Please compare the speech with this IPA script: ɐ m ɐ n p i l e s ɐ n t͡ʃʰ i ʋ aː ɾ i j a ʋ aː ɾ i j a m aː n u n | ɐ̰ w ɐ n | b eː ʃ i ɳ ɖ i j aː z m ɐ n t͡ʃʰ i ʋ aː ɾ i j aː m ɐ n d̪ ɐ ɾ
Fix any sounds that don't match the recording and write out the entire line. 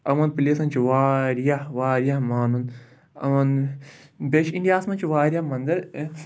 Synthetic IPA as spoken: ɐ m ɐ n p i l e s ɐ n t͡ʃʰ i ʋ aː ɾ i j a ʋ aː ɾ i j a m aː n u n | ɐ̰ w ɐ n | b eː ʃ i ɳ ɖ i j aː s m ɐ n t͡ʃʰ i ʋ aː ɾ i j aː m ɐ n d̪ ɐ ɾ